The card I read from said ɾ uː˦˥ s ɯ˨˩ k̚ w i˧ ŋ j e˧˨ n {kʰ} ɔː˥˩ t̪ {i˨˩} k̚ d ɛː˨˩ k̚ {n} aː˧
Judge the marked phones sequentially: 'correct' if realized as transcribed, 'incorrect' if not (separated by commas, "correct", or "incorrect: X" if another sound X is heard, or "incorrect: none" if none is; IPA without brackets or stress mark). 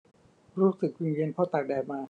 incorrect: pʰ, incorrect: a˨˩, incorrect: m